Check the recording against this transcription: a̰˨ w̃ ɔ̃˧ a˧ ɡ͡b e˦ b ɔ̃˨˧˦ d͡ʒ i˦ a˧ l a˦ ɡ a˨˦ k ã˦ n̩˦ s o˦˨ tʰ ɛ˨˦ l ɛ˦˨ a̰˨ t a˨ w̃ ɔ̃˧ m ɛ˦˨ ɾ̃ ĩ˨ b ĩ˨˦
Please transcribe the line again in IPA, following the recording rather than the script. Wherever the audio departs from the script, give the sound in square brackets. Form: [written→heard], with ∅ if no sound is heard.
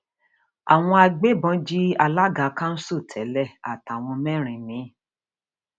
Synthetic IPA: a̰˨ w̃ ɔ̃˧ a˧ ɡ͡b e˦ b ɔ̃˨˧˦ d͡ʒ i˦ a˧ l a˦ ɡ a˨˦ k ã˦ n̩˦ s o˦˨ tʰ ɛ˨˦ l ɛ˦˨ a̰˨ t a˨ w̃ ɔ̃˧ m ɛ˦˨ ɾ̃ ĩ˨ [b→m] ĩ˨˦